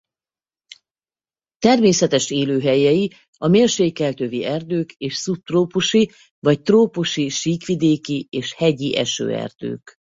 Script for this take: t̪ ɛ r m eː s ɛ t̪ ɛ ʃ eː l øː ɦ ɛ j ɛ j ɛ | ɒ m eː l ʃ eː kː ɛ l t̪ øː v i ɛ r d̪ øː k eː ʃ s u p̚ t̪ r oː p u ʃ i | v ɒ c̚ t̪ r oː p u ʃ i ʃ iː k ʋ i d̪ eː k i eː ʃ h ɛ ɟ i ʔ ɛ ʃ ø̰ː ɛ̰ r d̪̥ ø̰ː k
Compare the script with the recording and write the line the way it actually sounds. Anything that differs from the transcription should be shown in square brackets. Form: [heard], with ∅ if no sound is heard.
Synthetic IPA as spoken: t̪ ɛ r m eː s ɛ t̪ ɛ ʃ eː l øː ɦ ɛ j ɛ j [i] | ɒ m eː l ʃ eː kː ɛ l t̪ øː v i ɛ r d̪ øː k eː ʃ s u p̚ t̪ r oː p u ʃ i | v ɒ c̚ t̪ r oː p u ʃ i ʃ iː k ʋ i d̪ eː k i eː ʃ h ɛ ɟ i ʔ ɛ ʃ ø̰ː ɛ̰ r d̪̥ ø̰ː k